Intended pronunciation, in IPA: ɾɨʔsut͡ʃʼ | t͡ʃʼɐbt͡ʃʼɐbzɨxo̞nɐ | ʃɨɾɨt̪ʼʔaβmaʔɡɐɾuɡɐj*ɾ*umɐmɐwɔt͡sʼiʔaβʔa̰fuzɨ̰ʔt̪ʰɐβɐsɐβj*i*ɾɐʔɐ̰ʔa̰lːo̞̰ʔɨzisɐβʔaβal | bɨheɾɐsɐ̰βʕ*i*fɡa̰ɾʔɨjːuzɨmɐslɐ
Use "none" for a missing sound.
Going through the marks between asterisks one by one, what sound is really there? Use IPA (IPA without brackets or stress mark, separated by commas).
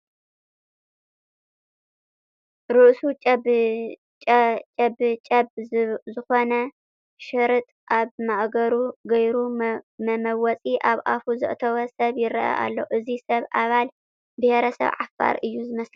ɾ, ɪ, a